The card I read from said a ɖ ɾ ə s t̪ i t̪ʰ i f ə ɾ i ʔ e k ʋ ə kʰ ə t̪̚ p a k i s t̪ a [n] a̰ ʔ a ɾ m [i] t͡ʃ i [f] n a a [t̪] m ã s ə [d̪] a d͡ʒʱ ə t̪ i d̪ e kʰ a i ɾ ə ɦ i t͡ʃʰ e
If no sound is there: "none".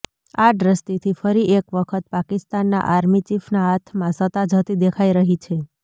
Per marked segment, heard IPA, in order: nː, i, f, t̪ʰ, t̪

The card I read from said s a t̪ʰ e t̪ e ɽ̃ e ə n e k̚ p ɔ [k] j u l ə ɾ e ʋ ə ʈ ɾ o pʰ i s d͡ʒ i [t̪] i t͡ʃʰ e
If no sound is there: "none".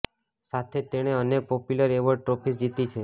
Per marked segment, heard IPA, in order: p, t̪

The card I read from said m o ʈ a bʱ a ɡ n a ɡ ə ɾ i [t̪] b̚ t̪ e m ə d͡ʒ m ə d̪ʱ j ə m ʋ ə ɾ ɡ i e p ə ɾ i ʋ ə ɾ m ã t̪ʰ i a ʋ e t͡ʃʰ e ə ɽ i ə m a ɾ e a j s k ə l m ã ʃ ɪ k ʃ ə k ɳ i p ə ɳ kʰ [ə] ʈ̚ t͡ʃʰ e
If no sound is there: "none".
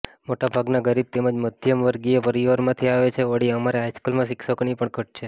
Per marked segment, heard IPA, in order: none, ə

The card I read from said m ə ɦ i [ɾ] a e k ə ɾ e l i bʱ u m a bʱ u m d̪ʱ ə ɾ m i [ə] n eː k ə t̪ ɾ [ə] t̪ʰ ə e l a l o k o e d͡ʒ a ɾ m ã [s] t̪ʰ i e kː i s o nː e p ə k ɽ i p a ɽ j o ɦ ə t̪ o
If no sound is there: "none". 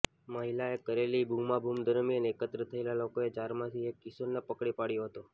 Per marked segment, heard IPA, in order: l, ə, ə, none

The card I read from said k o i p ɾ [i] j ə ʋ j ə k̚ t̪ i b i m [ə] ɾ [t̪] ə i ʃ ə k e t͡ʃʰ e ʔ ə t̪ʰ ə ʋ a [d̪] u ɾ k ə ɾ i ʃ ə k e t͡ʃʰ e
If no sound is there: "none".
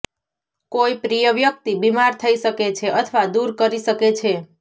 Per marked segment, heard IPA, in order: i, a, t̪ʰ, d̪

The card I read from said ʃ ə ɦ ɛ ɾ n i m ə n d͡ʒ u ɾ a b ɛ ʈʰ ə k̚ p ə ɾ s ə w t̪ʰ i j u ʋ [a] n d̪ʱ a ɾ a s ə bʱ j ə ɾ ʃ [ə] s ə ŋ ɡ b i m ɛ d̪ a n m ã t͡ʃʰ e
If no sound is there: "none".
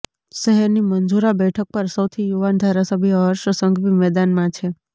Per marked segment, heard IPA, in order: a, ə

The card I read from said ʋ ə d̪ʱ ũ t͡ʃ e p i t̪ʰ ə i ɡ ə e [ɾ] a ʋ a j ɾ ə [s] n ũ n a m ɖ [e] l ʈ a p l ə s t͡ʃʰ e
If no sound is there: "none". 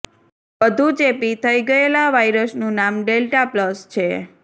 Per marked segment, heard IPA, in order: l, s, e

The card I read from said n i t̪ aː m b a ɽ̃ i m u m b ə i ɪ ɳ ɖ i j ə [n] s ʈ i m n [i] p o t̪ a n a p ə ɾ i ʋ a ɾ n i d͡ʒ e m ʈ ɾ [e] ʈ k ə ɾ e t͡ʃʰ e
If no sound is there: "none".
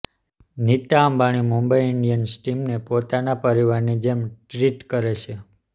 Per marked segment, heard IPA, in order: n, e, i

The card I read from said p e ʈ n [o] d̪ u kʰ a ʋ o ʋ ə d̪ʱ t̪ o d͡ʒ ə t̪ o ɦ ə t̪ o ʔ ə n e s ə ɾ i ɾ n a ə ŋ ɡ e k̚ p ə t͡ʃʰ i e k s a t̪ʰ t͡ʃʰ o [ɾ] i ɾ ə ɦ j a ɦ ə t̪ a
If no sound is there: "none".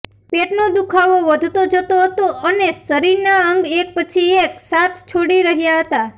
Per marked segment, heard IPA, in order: o, ɽ

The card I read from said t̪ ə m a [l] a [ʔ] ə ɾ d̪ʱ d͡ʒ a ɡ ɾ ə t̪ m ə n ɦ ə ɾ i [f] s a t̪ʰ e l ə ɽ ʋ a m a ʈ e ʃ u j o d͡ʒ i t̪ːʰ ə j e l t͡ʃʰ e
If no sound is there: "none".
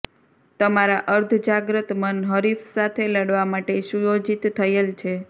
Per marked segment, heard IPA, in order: ɾ, ʔ, f

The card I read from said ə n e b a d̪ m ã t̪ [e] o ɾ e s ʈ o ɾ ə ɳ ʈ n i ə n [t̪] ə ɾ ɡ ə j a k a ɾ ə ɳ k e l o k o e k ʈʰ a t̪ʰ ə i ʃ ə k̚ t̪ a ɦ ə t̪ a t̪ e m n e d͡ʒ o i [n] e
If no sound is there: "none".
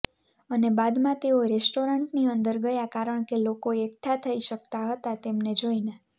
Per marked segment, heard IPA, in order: e, d̪, n

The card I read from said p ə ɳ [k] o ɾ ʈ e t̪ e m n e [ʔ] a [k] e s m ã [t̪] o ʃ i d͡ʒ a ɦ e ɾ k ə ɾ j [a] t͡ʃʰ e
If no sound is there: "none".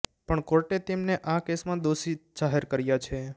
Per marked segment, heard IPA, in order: k, ʔ, k, d̪, a

